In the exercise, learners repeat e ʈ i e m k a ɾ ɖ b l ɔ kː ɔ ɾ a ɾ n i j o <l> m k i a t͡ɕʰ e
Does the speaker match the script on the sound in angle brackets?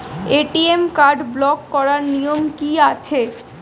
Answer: no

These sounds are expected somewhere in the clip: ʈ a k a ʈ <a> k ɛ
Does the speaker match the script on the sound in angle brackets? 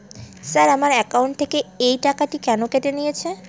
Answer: no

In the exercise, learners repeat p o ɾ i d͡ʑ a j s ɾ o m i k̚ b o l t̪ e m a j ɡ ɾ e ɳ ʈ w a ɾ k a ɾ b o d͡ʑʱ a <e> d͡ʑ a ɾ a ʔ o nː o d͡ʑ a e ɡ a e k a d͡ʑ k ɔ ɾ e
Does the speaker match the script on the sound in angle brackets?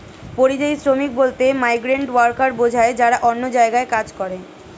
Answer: yes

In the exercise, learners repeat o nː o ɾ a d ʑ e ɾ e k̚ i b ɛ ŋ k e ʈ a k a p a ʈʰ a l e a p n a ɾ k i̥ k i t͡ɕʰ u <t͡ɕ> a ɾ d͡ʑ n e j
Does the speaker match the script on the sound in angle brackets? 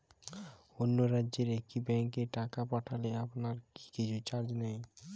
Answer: yes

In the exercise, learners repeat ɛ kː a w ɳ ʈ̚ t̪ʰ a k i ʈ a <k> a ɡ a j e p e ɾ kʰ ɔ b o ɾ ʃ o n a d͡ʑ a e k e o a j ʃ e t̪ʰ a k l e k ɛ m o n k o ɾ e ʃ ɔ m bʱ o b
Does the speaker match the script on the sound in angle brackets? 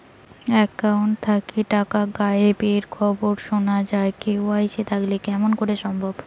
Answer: yes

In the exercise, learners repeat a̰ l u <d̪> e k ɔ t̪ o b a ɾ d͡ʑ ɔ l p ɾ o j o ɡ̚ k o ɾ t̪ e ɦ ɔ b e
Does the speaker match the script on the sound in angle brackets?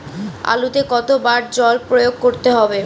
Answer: no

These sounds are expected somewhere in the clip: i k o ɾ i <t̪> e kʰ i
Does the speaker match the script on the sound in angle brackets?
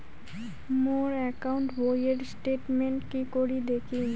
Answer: no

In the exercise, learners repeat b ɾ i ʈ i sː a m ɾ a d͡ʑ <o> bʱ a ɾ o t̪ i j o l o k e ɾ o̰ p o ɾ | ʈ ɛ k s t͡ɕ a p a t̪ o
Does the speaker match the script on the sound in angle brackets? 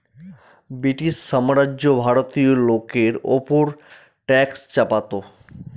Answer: yes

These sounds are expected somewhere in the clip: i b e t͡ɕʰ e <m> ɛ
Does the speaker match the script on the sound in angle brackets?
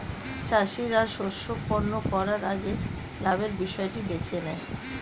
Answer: no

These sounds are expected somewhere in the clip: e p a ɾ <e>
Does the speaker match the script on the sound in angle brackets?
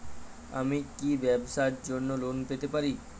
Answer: no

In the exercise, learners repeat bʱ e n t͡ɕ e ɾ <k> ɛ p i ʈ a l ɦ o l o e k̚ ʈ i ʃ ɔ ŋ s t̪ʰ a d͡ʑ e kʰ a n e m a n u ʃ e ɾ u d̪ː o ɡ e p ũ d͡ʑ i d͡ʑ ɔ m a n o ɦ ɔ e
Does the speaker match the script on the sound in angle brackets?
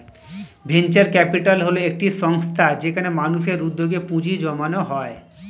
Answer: yes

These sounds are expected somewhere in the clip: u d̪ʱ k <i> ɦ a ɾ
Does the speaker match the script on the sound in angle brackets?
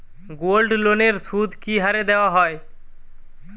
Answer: yes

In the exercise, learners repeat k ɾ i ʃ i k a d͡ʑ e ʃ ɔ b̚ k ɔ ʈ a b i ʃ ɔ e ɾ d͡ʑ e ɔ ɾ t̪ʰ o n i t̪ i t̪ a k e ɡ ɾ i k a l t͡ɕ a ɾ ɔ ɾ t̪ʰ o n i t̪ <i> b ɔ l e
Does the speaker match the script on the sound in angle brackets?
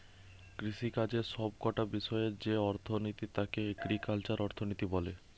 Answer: yes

